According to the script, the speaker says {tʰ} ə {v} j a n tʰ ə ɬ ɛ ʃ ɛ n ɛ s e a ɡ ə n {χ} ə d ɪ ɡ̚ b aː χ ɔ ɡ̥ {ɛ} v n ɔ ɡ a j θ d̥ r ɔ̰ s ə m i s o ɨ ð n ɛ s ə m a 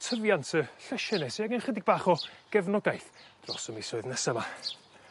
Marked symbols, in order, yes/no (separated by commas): yes, yes, yes, yes